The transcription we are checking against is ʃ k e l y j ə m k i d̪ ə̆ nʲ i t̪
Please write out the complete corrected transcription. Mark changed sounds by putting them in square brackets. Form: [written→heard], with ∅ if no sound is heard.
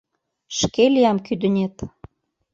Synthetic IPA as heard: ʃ k e l [y→i] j [ə→ɑ] m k [i→y] d̪ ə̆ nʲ [i→e] t̪